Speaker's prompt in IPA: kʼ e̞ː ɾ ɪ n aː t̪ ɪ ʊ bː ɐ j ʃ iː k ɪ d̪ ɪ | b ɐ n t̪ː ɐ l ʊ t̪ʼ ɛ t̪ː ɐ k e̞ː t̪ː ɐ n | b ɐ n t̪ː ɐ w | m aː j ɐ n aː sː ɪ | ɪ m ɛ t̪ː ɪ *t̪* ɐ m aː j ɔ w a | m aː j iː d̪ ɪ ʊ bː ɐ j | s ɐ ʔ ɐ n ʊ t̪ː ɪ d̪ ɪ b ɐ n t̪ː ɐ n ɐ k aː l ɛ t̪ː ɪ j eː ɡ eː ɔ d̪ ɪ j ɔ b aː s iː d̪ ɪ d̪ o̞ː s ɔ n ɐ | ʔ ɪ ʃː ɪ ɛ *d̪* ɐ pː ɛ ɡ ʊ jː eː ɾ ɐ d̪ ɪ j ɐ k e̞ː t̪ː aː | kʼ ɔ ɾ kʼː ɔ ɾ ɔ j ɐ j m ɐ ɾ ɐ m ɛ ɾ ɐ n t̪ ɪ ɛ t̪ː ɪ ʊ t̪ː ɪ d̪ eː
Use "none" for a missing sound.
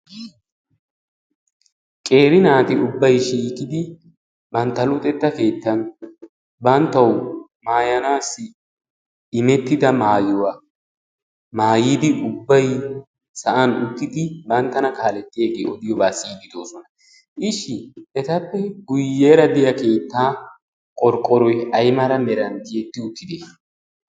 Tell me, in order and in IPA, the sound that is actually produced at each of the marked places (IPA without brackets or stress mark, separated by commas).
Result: d̪, t̪